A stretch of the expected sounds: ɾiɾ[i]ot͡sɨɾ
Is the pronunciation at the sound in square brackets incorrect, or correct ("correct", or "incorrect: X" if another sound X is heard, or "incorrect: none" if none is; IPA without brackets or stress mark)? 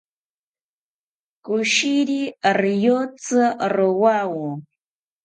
incorrect: j